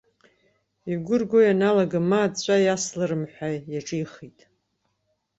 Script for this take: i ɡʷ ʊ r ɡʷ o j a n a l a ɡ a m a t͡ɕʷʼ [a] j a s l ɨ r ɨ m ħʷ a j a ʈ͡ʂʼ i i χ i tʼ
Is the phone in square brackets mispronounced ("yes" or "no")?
no